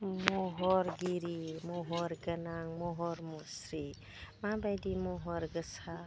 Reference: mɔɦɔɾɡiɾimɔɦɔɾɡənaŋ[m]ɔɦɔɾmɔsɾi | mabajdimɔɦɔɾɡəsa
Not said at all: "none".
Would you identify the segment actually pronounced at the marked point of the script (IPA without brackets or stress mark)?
m